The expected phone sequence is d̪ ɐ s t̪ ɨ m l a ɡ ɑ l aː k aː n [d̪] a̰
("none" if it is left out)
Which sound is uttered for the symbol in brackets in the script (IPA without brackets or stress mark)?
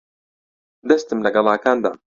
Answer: d̪